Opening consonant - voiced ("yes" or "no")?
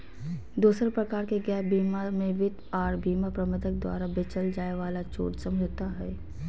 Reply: yes